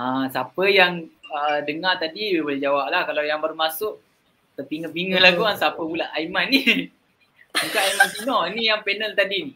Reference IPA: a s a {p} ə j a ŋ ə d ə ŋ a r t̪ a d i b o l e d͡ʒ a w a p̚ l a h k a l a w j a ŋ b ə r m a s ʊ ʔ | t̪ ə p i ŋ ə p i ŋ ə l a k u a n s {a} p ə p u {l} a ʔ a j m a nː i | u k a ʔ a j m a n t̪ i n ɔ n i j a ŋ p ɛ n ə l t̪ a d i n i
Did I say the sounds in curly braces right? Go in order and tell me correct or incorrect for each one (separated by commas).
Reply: correct, correct, correct